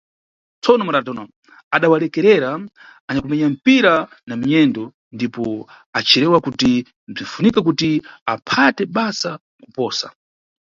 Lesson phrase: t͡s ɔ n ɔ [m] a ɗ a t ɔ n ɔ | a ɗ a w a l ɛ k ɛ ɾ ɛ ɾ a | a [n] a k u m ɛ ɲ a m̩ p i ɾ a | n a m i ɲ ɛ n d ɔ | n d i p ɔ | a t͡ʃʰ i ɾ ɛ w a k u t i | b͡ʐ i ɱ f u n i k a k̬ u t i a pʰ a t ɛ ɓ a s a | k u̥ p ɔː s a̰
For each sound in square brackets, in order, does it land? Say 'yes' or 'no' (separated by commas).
yes, no